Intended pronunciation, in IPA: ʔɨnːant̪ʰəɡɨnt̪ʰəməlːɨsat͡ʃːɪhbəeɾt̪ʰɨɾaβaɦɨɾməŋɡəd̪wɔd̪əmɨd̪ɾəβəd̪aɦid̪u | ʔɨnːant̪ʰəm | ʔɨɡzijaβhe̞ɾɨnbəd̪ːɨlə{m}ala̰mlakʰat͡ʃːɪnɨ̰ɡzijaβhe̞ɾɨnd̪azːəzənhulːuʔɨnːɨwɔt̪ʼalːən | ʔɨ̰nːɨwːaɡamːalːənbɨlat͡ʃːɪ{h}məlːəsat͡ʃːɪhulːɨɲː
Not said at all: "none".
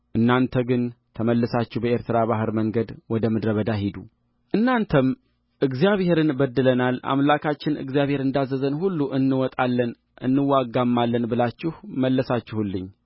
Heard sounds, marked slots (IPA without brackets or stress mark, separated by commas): n, h